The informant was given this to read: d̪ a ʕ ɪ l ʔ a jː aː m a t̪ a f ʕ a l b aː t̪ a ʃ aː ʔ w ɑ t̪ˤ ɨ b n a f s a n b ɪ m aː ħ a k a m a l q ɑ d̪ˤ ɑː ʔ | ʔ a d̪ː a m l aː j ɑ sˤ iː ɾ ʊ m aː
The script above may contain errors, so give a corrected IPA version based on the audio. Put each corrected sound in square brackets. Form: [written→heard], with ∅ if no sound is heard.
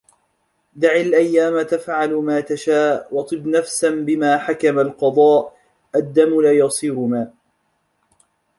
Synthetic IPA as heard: d̪ a ʕ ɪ l ʔ a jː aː m a t̪ a f ʕ a l [b→m] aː t̪ a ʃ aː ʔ w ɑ t̪ˤ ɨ b n a f s a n b ɪ m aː ħ a k a m a l q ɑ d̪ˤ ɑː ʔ | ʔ a d̪ː a m l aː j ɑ sˤ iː ɾ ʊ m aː